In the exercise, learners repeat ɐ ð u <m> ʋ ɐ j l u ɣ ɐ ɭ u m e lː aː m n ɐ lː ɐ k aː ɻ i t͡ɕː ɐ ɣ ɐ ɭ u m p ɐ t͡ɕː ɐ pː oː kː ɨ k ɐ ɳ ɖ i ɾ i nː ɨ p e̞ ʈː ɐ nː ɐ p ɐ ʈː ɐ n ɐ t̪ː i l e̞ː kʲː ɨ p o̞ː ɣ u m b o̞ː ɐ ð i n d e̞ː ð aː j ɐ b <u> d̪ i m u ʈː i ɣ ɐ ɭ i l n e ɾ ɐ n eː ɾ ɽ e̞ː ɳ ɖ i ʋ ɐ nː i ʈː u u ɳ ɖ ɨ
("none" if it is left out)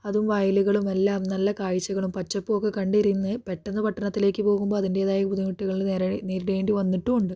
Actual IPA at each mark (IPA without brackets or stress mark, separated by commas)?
m, u